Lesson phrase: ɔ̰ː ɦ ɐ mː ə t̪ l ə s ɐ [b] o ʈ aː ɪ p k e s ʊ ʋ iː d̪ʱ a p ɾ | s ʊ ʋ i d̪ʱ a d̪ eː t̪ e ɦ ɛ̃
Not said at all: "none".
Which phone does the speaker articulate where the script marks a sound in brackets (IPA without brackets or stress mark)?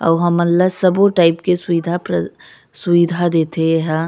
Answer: b